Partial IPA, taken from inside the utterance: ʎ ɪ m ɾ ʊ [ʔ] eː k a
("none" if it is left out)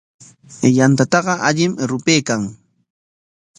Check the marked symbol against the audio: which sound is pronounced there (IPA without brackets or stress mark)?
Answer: p